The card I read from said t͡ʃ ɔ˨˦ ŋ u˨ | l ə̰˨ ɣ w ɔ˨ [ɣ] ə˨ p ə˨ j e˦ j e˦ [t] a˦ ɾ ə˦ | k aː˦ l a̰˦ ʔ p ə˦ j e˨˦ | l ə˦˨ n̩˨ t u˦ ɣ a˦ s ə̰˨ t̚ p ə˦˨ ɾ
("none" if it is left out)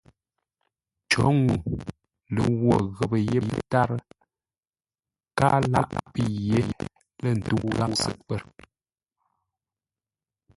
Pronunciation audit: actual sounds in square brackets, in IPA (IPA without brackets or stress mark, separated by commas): ɣ, t